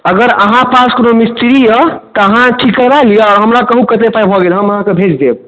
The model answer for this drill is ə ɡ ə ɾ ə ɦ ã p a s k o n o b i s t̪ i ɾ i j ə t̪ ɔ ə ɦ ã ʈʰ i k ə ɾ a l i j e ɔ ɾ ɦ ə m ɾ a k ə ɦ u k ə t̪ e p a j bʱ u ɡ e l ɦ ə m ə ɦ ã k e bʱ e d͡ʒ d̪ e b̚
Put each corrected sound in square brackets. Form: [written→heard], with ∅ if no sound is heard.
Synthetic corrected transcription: ə ɡ ə ɾ ə ɦ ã p a s k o n o [b→m] i s t̪ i ɾ i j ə t̪ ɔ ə ɦ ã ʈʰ i k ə ɾ a l i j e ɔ ɾ ɦ ə m ɾ a k ə ɦ u k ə t̪ e p a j bʱ [u→ɔ] ɡ e l ɦ ə m ə ɦ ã k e bʱ e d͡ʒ d̪ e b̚